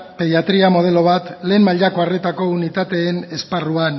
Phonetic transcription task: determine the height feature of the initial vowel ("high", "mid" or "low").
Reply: mid